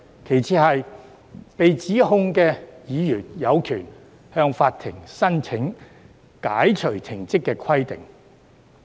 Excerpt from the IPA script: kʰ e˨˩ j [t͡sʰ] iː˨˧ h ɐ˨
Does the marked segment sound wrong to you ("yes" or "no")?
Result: no